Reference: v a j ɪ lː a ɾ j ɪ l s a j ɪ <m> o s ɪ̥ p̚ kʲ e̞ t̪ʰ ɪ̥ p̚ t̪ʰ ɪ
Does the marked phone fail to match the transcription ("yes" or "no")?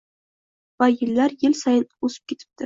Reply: yes